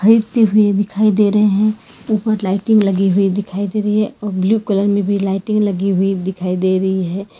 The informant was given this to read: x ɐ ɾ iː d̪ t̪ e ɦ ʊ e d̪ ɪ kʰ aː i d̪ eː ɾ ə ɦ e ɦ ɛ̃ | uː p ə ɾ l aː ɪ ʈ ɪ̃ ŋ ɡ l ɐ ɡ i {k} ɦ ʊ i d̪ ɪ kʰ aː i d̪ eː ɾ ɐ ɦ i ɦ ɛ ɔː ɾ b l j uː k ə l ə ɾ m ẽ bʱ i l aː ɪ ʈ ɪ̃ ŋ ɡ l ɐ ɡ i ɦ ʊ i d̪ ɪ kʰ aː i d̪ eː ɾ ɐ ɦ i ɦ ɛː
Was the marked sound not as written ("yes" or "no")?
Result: yes